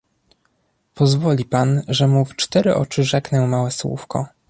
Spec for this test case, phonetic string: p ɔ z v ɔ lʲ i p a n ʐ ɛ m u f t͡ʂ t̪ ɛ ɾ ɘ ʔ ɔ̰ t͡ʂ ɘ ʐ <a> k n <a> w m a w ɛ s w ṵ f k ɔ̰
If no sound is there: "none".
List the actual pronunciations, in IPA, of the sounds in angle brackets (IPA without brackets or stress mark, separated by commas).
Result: ɛ, ɛ